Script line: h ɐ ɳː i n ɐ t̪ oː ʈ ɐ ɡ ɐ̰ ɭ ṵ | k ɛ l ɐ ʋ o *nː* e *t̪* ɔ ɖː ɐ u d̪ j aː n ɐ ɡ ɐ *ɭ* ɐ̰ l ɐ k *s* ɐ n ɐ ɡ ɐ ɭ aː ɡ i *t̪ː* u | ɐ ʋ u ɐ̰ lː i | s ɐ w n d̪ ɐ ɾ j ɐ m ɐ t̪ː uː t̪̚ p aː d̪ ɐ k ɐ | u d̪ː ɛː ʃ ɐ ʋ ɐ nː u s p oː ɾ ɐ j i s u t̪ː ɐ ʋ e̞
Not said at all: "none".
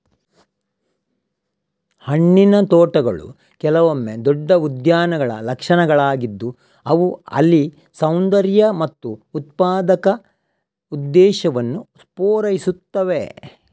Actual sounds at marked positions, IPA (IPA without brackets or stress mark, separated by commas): mː, d̪, ɭ, ʂ, d̪ː